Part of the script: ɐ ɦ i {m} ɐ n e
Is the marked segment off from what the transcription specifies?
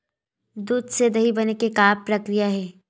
yes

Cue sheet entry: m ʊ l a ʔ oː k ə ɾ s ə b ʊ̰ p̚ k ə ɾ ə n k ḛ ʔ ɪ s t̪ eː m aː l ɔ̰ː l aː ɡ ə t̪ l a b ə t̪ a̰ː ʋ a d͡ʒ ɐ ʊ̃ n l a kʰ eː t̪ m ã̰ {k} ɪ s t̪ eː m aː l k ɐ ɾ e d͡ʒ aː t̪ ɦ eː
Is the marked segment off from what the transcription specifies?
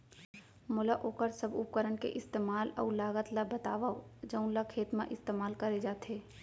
yes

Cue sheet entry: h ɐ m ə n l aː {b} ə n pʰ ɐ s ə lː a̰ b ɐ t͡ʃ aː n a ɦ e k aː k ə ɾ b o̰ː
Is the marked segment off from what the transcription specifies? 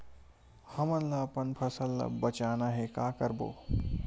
yes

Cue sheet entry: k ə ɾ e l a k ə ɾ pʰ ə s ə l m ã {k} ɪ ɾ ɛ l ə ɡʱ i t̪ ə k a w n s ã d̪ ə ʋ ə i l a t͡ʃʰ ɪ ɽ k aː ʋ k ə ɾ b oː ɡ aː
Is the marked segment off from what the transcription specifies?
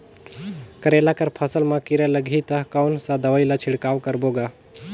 no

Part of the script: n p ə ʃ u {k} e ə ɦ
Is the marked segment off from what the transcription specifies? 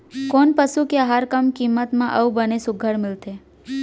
no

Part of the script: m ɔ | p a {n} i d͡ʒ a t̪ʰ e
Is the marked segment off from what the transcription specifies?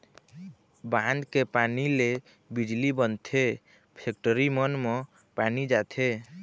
no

